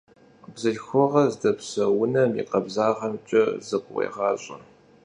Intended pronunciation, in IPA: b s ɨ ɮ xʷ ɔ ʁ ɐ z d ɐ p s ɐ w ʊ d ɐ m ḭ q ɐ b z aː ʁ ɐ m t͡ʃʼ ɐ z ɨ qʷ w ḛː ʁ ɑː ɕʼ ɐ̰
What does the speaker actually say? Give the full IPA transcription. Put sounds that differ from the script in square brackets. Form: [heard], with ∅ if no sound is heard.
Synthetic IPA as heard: b [z] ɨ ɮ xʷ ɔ ʁ ɐ z d ɐ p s ɐ w ʊ [n] ɐ m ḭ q ɐ b z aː ʁ ɐ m t͡ʃʼ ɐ z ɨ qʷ w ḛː ʁ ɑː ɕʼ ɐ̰